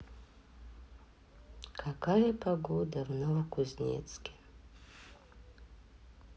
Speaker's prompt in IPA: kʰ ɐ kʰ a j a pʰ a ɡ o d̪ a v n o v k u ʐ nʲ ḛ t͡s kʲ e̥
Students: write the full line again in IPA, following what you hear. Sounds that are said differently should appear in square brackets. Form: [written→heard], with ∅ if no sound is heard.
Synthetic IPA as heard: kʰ [ɐ→a] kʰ a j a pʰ a ɡ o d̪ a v n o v k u [ʐ→z] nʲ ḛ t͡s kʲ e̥